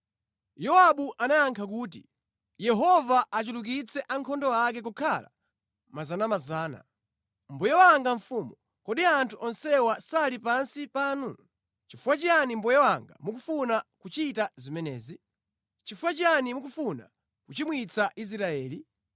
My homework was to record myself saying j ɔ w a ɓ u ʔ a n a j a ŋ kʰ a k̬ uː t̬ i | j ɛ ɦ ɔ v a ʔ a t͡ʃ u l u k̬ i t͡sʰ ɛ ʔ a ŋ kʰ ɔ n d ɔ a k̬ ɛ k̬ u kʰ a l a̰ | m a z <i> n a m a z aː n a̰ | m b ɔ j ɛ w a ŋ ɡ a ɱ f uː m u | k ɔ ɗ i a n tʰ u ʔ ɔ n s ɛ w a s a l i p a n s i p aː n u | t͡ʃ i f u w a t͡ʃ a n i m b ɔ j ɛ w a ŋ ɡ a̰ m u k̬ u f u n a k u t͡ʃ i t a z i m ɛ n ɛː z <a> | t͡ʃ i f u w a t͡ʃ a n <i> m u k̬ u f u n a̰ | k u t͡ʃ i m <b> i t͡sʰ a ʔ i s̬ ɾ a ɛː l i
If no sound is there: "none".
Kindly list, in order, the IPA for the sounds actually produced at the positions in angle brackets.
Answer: a, i, i, w

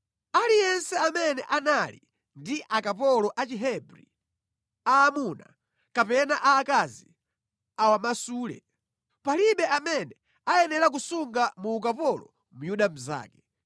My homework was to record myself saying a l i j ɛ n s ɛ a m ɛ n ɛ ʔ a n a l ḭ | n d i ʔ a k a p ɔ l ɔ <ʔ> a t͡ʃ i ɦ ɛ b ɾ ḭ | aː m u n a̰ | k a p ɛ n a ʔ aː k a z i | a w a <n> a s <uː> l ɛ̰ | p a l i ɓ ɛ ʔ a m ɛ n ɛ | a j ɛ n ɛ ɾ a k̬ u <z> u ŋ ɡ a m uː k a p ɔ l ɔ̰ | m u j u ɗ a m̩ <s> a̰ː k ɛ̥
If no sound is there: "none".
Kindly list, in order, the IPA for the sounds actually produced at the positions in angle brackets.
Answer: ʔ, m, uː, s, z

